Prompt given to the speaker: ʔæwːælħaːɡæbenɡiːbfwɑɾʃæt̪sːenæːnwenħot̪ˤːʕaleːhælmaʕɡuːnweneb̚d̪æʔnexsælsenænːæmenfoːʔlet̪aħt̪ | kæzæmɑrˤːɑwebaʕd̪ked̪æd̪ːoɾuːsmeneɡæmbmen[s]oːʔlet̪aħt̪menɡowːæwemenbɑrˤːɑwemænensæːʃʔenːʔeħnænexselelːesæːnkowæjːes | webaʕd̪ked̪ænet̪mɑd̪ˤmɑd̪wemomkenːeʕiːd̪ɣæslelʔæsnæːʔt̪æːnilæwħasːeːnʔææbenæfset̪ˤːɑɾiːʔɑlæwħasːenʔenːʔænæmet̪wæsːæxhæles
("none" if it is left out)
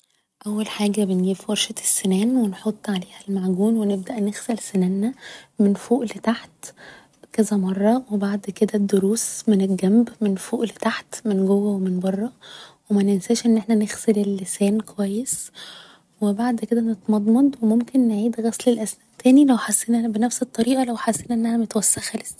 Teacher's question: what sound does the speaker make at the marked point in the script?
f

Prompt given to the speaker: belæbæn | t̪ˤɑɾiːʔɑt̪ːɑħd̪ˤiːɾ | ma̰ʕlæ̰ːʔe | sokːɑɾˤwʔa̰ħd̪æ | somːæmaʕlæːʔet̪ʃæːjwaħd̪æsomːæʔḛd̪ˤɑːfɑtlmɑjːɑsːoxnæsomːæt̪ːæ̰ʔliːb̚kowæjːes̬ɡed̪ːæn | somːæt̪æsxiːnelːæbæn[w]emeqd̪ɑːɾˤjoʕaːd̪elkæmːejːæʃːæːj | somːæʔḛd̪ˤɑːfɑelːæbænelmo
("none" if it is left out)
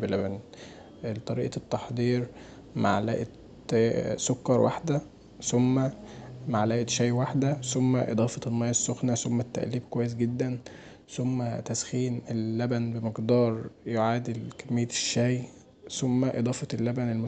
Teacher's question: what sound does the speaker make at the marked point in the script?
b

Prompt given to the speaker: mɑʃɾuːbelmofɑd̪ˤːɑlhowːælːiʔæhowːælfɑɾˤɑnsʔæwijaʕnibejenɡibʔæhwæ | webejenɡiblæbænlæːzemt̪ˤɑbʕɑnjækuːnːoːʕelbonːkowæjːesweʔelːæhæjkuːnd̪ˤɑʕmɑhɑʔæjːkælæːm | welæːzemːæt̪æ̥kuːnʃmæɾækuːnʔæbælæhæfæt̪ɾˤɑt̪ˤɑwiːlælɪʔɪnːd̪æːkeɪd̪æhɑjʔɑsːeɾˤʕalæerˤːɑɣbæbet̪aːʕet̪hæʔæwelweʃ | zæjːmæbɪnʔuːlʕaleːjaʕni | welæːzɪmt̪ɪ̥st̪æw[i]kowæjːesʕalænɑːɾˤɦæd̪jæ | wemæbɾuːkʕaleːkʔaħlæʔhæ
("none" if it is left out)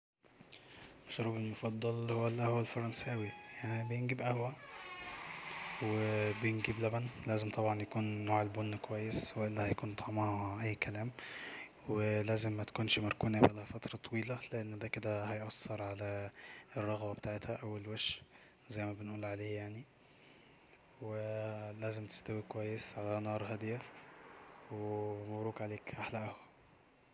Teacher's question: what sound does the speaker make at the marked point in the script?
i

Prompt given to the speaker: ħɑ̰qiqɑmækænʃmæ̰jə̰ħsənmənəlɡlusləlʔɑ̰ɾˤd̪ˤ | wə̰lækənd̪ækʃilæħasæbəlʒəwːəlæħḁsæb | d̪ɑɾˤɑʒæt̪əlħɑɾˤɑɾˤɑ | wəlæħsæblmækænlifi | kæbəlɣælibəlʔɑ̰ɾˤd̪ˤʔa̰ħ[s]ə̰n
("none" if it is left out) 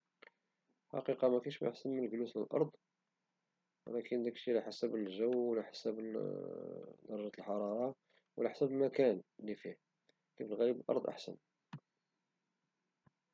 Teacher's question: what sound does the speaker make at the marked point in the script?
s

